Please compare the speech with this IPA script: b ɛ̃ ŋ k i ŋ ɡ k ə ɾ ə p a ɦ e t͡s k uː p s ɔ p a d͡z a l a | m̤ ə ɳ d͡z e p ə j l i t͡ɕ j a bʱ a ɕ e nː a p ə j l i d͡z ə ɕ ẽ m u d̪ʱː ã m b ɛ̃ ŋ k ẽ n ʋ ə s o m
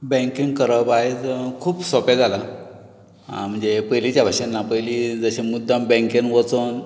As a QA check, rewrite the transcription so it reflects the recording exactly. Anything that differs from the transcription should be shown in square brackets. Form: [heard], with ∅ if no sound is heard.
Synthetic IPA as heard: b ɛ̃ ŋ k i ŋ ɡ k ə ɾ ə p a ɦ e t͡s [kʰ] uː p s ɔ p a d͡z a l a | m̤ ə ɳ d͡z e p ə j l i t͡ɕ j a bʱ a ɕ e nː a p ə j l i d͡z ə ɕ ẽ m u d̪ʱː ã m b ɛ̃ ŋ k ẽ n ʋ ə [t͡s] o [n]